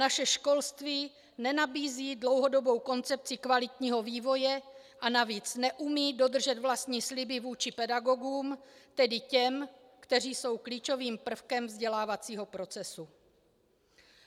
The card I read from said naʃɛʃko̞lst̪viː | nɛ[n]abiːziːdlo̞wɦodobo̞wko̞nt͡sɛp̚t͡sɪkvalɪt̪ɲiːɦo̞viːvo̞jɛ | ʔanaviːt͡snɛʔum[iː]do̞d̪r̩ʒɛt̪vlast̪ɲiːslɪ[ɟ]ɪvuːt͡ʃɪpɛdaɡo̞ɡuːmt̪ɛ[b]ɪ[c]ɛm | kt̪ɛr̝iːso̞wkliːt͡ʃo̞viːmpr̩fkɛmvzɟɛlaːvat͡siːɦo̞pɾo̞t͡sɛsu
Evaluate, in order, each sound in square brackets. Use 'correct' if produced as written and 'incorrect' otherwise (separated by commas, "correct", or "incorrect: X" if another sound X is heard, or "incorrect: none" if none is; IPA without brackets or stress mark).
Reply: correct, correct, incorrect: b, incorrect: d, correct